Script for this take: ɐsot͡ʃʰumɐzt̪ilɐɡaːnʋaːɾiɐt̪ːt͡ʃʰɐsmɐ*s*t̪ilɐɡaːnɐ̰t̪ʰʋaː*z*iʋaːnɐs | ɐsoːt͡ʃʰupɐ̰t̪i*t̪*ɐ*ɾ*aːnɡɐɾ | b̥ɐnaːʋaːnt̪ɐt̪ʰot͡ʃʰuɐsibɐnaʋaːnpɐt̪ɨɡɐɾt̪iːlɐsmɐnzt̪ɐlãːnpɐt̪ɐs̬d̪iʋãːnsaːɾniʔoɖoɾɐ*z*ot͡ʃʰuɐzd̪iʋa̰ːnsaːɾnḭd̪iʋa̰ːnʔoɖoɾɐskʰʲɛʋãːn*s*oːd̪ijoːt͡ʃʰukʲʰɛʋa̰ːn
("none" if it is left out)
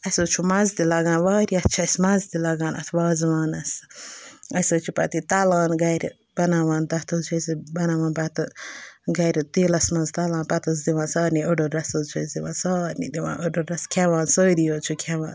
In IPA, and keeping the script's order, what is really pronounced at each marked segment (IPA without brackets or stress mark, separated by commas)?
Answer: z, z, t̪, l, s, s